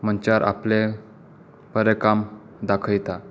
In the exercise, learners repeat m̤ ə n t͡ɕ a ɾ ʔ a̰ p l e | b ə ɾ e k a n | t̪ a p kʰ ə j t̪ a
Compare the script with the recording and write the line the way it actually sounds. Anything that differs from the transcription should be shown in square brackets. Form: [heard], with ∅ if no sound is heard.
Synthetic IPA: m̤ ə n t͡ɕ a ɾ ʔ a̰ p l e | [p] ə ɾ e k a [m] | [d̪] a [∅] kʰ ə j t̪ a